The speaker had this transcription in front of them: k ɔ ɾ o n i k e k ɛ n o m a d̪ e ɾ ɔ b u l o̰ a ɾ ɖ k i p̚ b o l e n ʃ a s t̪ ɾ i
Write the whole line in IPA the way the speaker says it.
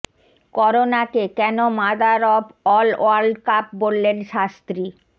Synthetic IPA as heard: k ɔ ɾ o n a k e k ɛ n o m a d̪ a ɾ ɔ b ɔ l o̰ a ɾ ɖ k a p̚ b o lː e n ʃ a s t̪ ɾ i